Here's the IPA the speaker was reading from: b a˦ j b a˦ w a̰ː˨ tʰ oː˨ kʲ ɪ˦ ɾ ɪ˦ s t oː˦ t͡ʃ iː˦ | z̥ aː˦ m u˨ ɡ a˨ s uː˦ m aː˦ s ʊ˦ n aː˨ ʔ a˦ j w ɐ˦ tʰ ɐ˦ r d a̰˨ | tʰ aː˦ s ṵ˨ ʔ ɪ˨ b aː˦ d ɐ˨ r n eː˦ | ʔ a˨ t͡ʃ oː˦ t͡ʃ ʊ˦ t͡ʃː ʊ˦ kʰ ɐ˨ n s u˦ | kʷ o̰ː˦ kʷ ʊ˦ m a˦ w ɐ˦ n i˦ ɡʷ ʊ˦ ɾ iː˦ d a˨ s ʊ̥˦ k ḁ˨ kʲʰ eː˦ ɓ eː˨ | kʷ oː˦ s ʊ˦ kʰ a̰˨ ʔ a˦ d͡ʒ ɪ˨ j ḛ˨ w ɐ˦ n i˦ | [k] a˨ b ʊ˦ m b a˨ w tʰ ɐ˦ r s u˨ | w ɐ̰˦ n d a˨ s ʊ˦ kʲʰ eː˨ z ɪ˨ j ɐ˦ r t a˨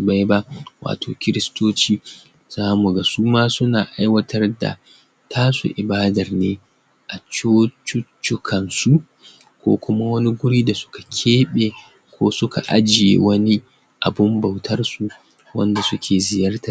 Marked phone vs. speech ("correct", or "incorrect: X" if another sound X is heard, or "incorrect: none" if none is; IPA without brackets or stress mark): incorrect: ʔ